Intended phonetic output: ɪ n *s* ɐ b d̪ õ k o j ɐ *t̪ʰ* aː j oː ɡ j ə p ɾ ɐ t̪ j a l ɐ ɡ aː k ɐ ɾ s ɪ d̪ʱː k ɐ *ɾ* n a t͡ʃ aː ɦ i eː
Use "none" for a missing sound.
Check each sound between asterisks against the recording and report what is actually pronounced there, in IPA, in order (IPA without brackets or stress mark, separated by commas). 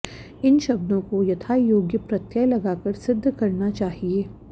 ʃ, t̪ʰ, ɾ